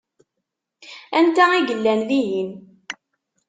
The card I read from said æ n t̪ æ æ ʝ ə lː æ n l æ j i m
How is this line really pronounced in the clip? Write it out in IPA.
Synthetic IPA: æ n t̪ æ i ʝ ə lː æ n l i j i n